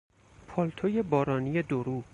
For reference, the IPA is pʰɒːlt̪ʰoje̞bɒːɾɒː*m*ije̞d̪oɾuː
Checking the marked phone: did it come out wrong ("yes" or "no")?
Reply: yes